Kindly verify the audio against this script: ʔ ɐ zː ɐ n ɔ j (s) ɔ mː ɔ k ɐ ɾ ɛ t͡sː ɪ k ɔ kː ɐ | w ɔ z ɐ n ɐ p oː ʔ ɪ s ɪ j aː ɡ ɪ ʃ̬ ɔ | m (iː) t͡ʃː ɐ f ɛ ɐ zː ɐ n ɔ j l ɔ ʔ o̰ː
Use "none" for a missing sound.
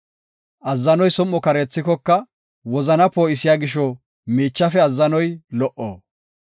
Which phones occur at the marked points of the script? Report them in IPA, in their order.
s, iː

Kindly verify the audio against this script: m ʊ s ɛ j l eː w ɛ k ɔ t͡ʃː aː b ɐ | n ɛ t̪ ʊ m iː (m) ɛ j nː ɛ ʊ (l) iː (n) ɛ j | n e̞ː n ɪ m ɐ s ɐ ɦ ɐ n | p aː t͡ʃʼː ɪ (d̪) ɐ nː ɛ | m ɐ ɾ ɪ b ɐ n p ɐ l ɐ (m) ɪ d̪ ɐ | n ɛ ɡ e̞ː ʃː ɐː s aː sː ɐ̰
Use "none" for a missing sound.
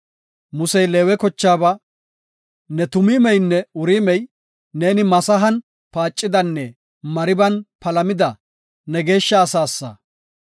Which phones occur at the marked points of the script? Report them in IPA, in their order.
m, ɾ, m, d̪, m

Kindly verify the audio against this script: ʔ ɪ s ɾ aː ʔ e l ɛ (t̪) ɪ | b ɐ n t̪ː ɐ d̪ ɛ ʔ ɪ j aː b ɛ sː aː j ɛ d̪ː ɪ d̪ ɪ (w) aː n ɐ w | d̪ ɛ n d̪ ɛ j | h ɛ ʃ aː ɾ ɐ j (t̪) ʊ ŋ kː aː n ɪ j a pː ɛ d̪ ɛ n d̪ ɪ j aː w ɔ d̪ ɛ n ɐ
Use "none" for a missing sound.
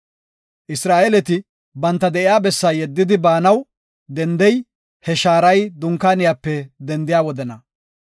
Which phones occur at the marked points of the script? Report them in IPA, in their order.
t̪, b, d̪

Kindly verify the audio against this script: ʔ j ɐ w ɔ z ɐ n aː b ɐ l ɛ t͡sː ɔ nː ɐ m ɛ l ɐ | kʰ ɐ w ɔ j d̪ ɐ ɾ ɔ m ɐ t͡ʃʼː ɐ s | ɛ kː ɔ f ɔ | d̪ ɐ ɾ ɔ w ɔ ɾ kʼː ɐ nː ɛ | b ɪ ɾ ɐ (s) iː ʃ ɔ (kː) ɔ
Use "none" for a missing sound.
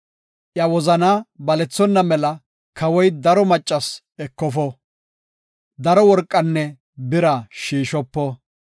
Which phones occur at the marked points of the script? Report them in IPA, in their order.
ʃ, pː

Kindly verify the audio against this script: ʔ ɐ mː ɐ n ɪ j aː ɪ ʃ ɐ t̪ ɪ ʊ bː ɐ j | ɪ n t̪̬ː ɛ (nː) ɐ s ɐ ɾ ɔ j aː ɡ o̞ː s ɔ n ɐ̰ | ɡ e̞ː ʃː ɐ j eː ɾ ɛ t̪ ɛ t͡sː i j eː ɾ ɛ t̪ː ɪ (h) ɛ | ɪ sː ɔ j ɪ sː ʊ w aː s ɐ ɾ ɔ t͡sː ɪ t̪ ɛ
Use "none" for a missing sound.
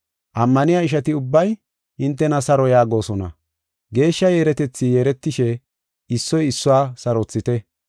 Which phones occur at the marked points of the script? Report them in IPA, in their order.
n, ʃ

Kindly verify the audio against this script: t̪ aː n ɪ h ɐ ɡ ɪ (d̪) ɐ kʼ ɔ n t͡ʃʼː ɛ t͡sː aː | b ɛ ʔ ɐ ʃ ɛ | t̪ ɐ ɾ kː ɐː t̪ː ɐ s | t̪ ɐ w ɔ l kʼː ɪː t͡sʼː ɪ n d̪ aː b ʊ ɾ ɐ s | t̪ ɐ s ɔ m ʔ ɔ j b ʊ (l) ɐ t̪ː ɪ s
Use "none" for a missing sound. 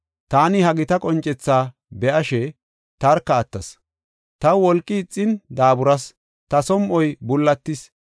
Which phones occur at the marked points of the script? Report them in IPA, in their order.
t̪, lː

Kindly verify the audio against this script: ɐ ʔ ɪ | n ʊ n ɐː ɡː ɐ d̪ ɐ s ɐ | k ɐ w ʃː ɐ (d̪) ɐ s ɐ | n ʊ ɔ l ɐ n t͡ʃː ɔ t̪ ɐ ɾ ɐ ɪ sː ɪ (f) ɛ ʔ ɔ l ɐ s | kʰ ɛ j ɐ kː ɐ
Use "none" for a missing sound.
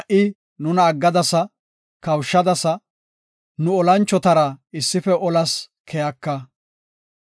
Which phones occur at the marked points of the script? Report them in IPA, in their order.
d̪, f

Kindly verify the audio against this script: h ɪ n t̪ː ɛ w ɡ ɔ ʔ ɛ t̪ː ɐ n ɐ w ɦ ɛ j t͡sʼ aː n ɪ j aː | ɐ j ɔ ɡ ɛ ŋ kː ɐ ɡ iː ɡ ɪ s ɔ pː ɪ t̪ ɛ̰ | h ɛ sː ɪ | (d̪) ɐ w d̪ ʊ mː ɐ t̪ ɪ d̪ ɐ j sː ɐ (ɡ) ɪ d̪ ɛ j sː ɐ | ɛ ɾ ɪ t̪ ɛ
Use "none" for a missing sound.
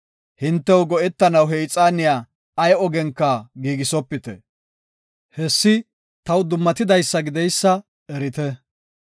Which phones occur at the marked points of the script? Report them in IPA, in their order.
t̪, ɡ

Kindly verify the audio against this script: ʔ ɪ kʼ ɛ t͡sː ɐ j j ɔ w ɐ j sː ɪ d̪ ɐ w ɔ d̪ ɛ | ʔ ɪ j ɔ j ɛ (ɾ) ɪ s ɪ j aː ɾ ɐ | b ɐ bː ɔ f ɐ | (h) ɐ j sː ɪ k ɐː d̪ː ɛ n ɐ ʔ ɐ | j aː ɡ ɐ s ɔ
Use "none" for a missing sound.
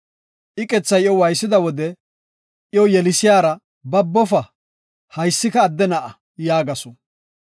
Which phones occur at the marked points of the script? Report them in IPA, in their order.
l, h

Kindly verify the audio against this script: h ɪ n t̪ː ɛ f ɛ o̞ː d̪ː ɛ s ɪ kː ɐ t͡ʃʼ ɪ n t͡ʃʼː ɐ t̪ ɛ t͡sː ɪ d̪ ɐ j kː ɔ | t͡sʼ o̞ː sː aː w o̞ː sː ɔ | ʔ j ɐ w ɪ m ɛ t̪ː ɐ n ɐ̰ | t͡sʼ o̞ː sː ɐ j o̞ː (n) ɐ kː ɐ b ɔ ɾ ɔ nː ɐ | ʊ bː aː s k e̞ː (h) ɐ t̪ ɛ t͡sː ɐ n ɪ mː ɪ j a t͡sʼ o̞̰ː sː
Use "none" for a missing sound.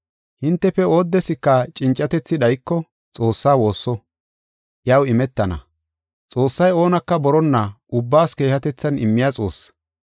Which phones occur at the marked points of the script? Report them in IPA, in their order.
n, h

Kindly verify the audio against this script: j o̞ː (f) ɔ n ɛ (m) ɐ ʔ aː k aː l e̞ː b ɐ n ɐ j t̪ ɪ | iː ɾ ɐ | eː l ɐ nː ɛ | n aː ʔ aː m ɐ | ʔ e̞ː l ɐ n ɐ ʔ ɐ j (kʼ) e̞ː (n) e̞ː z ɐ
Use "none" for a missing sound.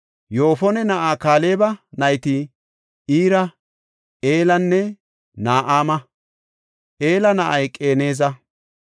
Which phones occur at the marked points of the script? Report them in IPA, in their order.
f, n, kʼ, n

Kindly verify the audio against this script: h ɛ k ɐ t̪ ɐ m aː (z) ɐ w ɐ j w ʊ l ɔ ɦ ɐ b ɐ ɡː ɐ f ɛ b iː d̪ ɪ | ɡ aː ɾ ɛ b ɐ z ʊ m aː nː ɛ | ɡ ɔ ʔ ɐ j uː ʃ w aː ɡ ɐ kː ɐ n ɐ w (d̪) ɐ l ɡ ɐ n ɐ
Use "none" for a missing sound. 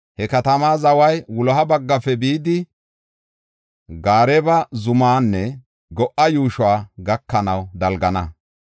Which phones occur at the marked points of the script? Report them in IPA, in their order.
z, d̪

